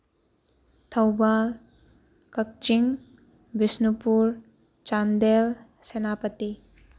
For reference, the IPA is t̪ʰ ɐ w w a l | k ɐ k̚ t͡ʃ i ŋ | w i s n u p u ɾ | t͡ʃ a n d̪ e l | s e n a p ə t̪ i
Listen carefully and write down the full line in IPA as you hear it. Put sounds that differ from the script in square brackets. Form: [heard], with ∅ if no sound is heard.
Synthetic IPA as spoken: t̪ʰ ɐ w [b] a l | k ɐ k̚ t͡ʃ i ŋ | [b] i s n u p u ɾ | t͡ʃ a n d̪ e l | s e n a p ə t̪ i

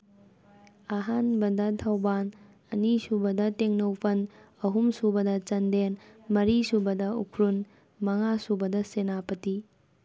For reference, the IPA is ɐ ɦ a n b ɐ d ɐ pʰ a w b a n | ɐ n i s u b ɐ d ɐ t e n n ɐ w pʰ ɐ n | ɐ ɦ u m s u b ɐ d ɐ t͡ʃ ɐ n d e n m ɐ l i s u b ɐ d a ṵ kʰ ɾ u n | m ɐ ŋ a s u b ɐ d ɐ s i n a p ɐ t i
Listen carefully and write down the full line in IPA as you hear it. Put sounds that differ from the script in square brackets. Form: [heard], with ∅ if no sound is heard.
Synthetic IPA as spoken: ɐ ɦ a n b ɐ d ɐ [tʰ] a w b a n | ɐ n i s u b ɐ d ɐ t e [ŋ] n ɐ w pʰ ɐ n | ɐ ɦ u m s u b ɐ d ɐ t͡ʃ ɐ n d e n m ɐ [ɾ] i s u b ɐ d [ɐ] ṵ kʰ ɾ u n | m ɐ ŋ a s u b ɐ d ɐ s [e] n a p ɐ t i

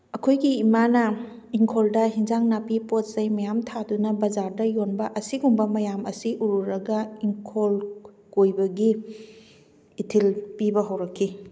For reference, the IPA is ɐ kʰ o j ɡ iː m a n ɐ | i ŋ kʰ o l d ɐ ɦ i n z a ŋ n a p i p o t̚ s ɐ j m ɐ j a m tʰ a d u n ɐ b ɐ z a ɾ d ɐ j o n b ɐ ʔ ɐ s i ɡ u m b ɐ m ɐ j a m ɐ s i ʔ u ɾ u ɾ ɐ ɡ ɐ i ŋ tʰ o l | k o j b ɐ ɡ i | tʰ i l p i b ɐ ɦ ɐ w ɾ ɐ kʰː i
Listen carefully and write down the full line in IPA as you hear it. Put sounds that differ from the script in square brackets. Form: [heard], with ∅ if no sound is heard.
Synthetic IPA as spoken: ɐ kʰ o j ɡ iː m a n ɐ | i ŋ kʰ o l d ɐ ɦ i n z a ŋ n a p i p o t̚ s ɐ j m ɐ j a m tʰ a d u n ɐ b ɐ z a ɾ d ɐ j o n b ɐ ʔ ɐ s i ɡ u m b ɐ m ɐ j a m ɐ s i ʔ u ɾ u ɾ ɐ ɡ ɐ i ŋ [kʰ] o l | k o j b ɐ ɡ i | tʰ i l p i b ɐ ɦ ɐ w ɾ ɐ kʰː i

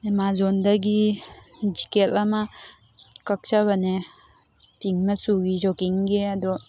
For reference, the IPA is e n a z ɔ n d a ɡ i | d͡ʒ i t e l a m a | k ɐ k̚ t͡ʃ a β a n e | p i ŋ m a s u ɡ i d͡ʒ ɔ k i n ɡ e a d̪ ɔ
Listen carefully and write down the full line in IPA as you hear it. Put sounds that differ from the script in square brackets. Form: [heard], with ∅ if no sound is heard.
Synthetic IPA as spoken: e [m] a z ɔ n d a ɡ i | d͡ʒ i [k] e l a m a | k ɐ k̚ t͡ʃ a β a n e | p i ŋ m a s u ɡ i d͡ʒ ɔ k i [ŋ] ɡ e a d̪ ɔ

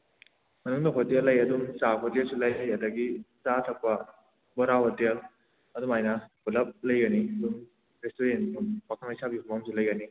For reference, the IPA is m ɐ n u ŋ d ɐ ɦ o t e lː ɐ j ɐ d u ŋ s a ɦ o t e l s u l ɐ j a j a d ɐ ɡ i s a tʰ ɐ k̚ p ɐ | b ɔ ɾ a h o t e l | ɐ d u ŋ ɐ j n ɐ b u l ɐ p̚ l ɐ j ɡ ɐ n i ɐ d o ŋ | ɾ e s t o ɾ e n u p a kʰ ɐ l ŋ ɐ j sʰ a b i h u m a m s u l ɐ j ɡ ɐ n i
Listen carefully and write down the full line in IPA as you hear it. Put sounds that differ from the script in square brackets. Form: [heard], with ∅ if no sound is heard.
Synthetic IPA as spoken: m ɐ n u ŋ d ɐ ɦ o t e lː ɐ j ɐ d u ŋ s a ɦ o t e l s u l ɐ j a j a d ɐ ɡ i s a tʰ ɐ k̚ p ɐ | b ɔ ɾ a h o t e l | ɐ d u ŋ [a] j n ɐ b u l ɐ p̚ l ɐ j ɡ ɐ n i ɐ d [u] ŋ | ɾ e s t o ɾ e n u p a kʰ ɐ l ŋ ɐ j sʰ a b i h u m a m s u l ɐ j ɡ ɐ n i

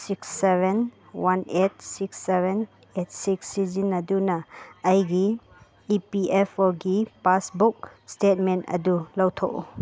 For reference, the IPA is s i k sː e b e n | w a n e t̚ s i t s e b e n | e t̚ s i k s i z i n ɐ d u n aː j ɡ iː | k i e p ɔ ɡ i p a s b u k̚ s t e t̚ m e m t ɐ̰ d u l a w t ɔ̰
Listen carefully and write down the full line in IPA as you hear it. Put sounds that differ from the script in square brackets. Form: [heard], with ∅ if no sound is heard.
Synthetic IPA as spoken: s i k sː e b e n | w a n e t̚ s i [k] s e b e n | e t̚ s i k s i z i n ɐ d u n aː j ɡ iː | [p] i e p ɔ ɡ i p a s b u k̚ s t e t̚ m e [n] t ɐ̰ d u l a w [tʰ] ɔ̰

